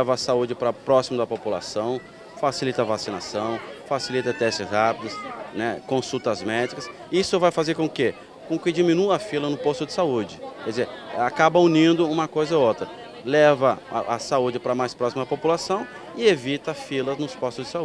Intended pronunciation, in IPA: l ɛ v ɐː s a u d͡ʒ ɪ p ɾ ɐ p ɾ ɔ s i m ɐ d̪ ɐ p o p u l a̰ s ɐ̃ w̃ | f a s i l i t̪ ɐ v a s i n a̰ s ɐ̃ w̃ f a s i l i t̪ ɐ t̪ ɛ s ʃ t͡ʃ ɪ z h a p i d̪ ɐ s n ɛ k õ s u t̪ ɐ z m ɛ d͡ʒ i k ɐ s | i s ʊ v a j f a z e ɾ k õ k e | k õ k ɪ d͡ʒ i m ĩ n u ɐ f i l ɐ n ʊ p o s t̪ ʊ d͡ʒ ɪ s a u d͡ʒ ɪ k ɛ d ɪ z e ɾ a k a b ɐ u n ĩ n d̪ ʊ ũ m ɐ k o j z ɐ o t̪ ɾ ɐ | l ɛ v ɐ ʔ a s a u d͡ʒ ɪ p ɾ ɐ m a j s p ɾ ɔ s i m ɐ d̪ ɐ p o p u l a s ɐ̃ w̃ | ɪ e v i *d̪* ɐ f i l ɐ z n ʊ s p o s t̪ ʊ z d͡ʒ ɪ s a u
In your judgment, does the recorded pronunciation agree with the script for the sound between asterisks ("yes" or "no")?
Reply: no